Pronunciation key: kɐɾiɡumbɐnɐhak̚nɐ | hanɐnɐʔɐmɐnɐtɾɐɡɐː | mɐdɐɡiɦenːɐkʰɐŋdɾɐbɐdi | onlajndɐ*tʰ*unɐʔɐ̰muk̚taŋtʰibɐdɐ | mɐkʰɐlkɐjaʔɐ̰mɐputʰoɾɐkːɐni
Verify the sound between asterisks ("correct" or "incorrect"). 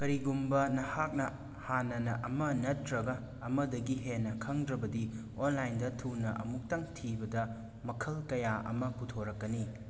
correct